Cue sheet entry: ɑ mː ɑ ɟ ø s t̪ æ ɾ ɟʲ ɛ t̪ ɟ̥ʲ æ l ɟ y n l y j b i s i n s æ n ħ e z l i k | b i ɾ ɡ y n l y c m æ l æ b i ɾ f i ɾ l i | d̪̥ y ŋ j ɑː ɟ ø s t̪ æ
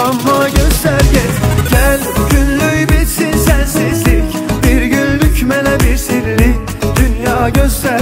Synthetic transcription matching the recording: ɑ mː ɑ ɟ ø s t̪ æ ɾ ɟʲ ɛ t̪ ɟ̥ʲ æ l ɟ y n l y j b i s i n s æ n s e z l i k | b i ɾ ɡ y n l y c m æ l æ b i ɾ s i ɾ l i | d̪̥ y n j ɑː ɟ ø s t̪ æ